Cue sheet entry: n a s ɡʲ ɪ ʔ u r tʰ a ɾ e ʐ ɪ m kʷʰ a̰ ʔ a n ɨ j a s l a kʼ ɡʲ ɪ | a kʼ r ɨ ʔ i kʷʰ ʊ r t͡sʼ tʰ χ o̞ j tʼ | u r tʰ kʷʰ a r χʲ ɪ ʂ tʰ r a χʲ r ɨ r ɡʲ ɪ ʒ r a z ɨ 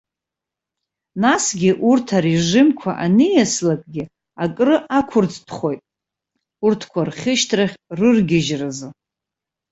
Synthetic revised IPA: n a s ɡʲ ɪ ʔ u r tʰ a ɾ e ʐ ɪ m kʷʰ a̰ ʔ a n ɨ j a s l a kʼ ɡʲ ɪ | a kʼ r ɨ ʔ a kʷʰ ʊ r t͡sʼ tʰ χ o̞ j tʼ | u r tʰ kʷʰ a r χʲ ɪ ʃ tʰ r a χʲ r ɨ r ɡʲ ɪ ʒ r a z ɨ